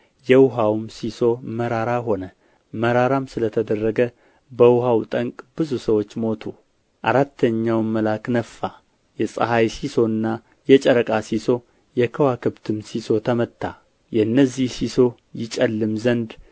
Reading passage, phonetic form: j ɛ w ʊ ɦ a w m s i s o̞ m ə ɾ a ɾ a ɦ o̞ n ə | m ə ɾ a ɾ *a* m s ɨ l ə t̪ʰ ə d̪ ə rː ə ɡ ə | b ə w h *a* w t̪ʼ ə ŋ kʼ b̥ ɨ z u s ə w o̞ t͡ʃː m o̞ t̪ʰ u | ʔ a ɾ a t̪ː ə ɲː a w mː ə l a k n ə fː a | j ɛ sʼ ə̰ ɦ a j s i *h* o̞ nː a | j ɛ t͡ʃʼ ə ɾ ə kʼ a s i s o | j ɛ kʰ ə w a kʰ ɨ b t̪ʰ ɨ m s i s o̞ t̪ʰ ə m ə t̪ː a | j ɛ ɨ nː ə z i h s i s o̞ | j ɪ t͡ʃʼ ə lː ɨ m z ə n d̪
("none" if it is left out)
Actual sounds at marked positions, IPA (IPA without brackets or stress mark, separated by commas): a, a, s